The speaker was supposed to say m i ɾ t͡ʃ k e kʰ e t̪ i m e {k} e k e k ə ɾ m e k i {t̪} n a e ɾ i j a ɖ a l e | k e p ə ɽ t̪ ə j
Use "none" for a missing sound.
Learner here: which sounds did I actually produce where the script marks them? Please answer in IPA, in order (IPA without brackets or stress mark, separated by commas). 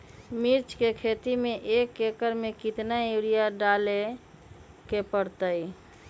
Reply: ʔ, t̪